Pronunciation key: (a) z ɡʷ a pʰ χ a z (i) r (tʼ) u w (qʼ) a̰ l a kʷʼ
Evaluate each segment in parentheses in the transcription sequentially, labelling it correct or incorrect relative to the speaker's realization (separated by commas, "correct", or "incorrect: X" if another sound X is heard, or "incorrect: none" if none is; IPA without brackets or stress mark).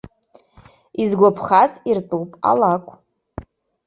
incorrect: i, correct, correct, incorrect: pʼ